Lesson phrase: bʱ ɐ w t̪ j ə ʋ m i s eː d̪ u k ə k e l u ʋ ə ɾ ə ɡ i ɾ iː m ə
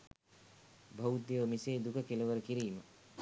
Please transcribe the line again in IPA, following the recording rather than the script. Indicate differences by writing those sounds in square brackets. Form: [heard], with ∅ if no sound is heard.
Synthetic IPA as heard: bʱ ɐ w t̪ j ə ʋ m i s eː d̪ u k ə k e l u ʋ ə ɾ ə [k] i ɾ iː m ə